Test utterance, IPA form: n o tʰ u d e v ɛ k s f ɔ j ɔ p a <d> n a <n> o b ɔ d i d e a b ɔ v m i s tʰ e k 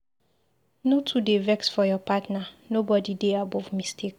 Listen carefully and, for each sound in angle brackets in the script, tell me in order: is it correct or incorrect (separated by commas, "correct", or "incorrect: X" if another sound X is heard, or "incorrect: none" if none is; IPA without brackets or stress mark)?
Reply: incorrect: t, correct